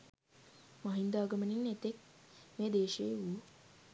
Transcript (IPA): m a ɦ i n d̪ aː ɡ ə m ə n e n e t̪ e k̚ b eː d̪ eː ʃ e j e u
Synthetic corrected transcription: m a ɦ i n d̪ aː ɡ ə m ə n i n e t̪ e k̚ m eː d̪ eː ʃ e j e u